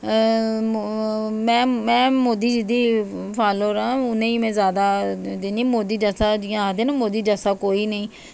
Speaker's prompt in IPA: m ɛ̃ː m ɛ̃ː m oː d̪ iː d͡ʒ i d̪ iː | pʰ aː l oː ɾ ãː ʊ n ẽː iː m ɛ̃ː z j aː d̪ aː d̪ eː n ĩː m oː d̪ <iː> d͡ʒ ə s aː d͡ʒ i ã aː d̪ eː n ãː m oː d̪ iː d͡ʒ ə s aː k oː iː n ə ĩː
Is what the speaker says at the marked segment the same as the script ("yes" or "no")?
yes